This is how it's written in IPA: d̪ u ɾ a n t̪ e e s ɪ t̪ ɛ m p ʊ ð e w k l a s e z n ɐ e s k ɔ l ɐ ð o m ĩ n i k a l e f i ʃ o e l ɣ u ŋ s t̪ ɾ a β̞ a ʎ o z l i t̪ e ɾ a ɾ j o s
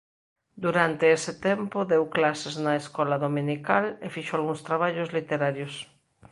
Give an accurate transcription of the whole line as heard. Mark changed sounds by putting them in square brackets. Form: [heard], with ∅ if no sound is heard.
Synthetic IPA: d̪ u ɾ a n t̪ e e s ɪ t̪ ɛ m p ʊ ð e w k l a s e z n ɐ e s k ɔ l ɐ ð o m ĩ n i k a l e f i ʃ o [a] l ɣ u ŋ s t̪ ɾ a β̞ a ʎ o z l i t̪ e ɾ a ɾ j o s